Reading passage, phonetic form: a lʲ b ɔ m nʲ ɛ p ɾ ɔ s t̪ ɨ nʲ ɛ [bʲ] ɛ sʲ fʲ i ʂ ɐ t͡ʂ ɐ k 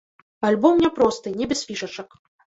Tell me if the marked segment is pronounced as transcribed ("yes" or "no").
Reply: yes